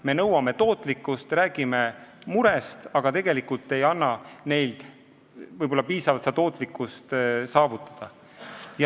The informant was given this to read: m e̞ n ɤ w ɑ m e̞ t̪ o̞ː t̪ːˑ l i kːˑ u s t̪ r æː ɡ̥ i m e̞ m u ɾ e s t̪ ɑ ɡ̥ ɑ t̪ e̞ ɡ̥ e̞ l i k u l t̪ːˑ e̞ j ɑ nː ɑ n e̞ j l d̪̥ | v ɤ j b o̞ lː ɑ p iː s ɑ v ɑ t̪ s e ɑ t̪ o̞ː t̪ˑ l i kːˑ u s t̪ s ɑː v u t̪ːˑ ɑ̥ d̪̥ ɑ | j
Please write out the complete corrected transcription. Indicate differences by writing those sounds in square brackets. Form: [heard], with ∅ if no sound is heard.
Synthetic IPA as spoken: m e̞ n ɤ w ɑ m e̞ t̪ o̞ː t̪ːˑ l i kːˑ u s t̪ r æː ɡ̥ i m e̞ m u ɾ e s t̪ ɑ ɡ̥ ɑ t̪ e̞ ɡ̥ e̞ l i k u l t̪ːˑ e̞ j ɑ nː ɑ n e̞ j l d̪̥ | v ɤ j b o̞ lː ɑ p iː s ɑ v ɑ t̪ s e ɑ t̪ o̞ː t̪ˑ l i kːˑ u s t̪ s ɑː v u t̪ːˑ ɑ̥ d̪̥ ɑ | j